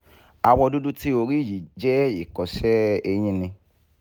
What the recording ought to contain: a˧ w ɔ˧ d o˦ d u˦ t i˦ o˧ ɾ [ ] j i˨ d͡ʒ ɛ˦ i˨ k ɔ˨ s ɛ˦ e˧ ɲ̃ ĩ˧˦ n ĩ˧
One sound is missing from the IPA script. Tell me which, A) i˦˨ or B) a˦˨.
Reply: A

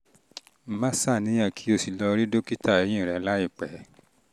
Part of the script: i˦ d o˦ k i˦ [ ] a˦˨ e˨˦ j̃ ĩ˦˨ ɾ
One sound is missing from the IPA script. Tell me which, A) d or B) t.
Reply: B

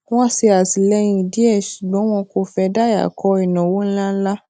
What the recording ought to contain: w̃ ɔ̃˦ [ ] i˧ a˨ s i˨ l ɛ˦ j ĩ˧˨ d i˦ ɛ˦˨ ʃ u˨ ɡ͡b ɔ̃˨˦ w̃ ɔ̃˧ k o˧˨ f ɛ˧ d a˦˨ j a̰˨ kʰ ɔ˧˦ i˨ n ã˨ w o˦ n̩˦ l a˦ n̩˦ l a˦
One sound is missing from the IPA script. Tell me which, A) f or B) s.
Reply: B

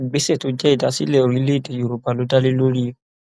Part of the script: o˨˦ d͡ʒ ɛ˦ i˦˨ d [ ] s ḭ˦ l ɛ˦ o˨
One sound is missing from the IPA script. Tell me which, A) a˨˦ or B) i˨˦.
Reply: A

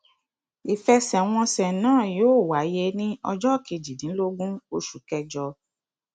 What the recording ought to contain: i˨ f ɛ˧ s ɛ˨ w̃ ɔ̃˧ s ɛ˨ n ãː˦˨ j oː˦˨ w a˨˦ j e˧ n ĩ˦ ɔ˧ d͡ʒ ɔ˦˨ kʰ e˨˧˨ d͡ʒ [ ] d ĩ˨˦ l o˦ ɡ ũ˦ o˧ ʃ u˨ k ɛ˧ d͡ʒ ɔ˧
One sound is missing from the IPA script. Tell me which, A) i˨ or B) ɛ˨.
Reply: A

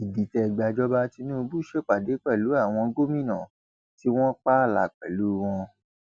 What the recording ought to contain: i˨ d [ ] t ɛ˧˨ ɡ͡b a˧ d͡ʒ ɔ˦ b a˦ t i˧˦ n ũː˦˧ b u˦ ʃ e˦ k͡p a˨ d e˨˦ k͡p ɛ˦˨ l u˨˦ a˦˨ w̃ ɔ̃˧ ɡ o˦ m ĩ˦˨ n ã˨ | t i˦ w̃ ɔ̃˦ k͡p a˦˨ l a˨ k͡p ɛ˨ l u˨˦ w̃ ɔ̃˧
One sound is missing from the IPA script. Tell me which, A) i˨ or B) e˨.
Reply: A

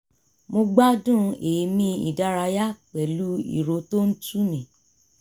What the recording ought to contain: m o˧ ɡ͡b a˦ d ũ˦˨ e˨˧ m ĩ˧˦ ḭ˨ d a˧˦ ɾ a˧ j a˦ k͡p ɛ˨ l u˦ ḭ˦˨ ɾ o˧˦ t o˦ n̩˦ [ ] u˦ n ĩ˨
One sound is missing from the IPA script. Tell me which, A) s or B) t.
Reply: B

